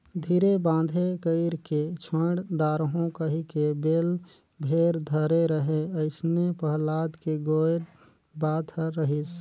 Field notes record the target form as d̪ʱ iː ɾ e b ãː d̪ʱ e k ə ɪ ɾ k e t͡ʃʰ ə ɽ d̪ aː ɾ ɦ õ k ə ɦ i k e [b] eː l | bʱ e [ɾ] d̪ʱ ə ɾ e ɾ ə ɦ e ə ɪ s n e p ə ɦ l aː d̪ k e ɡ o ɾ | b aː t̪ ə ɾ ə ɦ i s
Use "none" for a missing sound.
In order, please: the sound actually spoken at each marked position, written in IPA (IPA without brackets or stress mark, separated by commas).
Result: b, ɾ